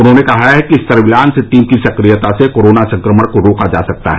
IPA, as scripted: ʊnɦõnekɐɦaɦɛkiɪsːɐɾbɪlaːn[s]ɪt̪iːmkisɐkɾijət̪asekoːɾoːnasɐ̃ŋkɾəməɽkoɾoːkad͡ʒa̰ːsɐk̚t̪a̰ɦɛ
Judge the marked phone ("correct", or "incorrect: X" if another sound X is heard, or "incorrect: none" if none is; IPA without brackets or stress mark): correct